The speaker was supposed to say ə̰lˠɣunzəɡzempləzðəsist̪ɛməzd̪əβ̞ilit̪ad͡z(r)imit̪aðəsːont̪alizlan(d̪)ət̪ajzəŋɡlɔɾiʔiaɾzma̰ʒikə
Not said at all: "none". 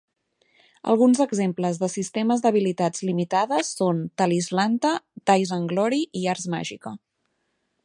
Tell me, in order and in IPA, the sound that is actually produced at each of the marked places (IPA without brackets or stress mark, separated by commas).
l, t̪